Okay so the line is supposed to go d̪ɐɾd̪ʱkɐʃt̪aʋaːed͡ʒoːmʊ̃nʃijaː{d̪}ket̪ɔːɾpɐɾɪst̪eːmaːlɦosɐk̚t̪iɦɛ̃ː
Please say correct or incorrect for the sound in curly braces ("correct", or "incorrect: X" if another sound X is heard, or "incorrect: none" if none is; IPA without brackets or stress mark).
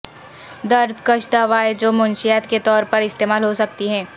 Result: incorrect: t̪